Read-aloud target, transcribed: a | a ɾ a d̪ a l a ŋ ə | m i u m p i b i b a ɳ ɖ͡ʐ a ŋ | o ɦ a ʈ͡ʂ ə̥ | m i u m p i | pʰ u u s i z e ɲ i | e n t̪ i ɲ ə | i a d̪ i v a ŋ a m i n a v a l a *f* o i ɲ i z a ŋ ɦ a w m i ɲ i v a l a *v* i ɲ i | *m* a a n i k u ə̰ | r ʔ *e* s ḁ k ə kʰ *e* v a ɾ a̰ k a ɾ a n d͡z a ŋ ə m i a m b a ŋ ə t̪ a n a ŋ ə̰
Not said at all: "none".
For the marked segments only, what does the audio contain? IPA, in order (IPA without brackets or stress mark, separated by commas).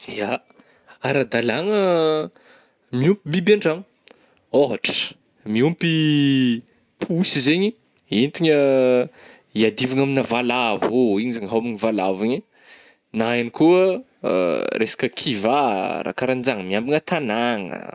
v, v, n, e, i